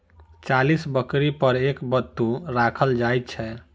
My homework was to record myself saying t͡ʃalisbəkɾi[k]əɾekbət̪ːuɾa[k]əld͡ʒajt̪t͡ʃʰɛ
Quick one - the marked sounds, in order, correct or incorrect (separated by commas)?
incorrect, incorrect